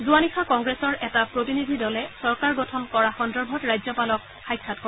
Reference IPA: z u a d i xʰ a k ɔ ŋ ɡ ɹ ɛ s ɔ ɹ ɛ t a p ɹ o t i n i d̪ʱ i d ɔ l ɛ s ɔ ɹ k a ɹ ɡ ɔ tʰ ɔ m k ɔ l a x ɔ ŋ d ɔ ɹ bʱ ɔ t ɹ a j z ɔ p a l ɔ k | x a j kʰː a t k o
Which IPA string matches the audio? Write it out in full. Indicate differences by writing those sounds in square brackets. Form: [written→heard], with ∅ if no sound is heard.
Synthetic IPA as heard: z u a [d→n] i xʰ a k ɔ ŋ ɡ ɹ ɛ s ɔ ɹ ɛ t a p ɹ o t i n i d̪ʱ i d ɔ l ɛ s ɔ ɹ k a ɹ ɡ ɔ tʰ ɔ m k ɔ [l→ɹ] a x ɔ [ŋ→n] d ɔ ɹ bʱ ɔ t ɹ a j z ɔ p a l ɔ k | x a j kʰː a t k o